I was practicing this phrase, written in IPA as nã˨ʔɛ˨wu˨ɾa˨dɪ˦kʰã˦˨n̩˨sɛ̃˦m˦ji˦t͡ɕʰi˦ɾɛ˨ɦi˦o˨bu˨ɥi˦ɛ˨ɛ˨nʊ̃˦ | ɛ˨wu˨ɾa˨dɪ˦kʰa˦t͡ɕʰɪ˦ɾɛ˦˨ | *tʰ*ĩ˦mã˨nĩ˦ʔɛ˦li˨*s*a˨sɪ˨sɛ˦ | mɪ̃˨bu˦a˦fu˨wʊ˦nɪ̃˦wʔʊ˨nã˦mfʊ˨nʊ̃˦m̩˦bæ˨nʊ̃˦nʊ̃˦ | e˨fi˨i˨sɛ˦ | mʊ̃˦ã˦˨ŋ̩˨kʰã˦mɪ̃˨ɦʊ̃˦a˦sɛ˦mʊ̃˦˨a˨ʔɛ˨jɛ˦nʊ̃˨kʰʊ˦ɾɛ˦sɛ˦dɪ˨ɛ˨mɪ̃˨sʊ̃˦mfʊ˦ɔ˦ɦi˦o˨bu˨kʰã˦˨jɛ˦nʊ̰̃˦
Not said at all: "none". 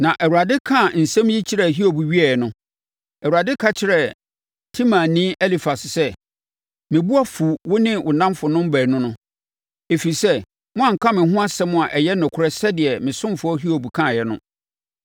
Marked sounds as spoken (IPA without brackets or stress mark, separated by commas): tʰ, f